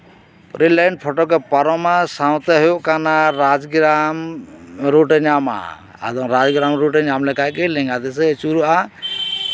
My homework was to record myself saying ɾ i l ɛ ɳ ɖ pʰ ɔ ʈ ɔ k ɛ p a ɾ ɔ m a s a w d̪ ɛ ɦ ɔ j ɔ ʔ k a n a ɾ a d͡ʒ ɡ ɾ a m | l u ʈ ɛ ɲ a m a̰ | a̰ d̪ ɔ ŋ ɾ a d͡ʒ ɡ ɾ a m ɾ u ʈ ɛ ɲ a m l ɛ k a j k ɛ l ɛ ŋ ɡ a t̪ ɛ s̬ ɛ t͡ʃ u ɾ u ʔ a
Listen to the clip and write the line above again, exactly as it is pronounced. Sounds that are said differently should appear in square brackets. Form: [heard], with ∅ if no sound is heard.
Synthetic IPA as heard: ɾ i l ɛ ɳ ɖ pʰ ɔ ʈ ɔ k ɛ p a ɾ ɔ m a s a w [t̪] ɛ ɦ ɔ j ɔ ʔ k a n a ɾ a d͡ʒ ɡ ɾ a m | [ɾ] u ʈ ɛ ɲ a m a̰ | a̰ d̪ ɔ ŋ ɾ a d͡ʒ ɡ ɾ a m ɾ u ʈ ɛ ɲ a m l ɛ k a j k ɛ l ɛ ŋ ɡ a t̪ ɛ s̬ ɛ t͡ʃ u ɾ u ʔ a